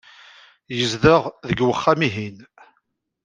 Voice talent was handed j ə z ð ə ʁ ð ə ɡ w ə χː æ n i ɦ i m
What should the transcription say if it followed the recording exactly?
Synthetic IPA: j ə z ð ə ʁ ð ə ɡ w ə χː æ m i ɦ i n